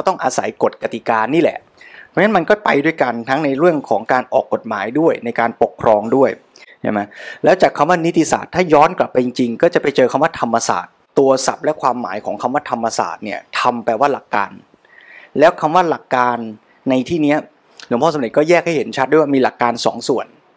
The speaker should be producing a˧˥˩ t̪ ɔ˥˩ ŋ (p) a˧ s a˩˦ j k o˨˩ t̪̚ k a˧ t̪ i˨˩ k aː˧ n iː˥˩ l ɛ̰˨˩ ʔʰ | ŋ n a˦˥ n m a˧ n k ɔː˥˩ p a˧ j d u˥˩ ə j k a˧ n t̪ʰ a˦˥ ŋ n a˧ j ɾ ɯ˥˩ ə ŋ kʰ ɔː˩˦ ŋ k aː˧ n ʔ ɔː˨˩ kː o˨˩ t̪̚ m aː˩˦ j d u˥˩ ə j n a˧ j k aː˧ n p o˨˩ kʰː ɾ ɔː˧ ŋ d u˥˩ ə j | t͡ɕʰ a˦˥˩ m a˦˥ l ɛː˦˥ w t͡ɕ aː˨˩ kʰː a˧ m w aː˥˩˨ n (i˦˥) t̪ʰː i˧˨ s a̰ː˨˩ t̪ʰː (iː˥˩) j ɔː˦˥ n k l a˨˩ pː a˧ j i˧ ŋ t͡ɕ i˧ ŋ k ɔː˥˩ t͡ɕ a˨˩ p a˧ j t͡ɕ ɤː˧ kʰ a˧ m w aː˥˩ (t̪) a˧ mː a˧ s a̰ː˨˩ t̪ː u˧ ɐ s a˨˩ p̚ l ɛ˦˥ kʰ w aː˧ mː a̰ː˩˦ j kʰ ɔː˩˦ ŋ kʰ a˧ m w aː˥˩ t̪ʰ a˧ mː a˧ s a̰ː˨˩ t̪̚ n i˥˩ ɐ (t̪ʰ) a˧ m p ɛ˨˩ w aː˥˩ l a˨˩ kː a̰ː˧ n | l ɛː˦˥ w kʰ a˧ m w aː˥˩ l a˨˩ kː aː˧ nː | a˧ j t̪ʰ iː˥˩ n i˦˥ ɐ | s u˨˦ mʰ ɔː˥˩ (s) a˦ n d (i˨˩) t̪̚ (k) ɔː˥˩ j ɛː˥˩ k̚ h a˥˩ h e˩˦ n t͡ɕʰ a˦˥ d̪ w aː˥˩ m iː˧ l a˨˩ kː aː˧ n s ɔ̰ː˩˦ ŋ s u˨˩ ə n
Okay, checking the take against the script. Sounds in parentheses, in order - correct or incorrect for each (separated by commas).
incorrect, correct, incorrect, incorrect, correct, correct, incorrect, correct